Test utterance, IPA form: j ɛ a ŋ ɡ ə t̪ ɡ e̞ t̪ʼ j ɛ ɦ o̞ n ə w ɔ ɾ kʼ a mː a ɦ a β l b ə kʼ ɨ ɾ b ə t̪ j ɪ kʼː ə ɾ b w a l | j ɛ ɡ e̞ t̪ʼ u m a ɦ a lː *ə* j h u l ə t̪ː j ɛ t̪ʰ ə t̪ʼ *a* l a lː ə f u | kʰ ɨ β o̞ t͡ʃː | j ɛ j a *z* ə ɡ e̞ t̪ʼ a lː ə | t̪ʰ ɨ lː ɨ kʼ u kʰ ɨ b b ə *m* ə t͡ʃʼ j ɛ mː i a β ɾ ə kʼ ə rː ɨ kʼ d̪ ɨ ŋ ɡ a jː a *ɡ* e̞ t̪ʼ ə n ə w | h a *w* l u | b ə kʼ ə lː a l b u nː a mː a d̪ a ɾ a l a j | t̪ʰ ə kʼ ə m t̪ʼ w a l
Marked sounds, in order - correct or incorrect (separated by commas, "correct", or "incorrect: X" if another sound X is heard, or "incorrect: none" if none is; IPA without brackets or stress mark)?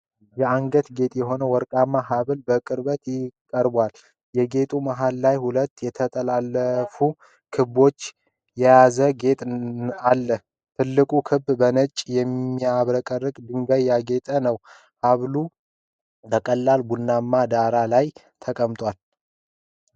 incorrect: a, incorrect: ə, correct, incorrect: n, correct, incorrect: β